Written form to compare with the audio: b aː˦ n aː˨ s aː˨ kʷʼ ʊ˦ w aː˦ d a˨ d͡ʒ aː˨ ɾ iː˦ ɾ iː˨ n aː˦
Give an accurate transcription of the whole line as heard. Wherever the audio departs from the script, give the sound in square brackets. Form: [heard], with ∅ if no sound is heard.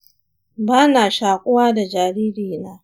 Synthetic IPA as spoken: b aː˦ n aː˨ [ʃ] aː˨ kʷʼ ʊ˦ w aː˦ d a˨ d͡ʒ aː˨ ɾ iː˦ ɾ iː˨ n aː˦